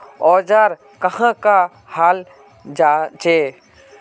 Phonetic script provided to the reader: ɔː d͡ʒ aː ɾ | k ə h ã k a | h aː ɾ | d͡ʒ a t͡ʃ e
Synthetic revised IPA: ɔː d͡ʒ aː ɾ | k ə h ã k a | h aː l | d͡ʒ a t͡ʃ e